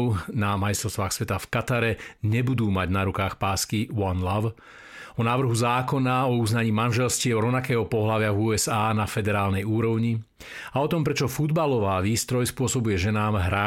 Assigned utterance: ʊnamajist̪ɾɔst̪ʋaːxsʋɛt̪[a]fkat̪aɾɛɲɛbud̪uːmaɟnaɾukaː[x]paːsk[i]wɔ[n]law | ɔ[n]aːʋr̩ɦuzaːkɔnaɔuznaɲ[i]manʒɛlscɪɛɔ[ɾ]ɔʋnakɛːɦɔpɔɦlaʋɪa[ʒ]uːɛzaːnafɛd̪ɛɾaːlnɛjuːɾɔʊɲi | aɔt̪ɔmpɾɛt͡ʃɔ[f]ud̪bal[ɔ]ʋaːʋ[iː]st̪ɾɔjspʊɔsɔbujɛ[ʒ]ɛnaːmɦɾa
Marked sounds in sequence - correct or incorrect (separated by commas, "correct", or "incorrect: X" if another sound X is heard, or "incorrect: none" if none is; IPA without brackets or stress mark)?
correct, correct, correct, correct, correct, incorrect: iː, correct, incorrect: v, correct, correct, correct, correct